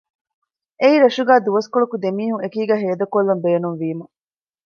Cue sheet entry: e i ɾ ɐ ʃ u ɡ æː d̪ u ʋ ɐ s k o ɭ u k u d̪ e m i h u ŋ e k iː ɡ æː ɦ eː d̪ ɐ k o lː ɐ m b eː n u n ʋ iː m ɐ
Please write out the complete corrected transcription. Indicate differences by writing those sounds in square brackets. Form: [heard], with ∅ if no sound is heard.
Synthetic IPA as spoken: e i ɾ ɐ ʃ u ɡ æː d̪ u ʋ ɐ s k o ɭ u k u d̪ e m [iː] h u ŋ e k iː ɡ æː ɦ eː d̪ ɐ k o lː ɐ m b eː n u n ʋ iː m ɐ